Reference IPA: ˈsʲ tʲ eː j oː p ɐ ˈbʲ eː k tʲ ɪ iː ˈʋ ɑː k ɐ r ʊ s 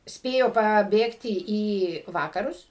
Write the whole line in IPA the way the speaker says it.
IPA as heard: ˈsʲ pʲ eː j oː p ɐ ˈbʲ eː k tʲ ɪ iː ˈʋ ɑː k ɐ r ʊ s